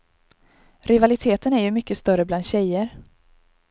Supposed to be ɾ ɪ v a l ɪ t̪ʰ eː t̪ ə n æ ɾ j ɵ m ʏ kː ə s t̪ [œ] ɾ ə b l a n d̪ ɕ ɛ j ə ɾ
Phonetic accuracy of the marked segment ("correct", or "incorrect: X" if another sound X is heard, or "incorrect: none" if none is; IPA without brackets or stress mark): correct